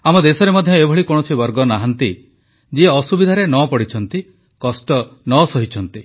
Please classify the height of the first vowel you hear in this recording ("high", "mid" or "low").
low